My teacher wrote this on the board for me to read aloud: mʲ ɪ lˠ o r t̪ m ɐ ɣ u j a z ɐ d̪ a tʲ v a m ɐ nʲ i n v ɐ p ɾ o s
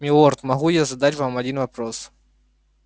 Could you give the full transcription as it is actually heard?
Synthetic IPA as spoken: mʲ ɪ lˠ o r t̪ m ɐ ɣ u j a z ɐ d̪ a tʲ v a m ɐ dʲ i n v ɐ p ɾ o s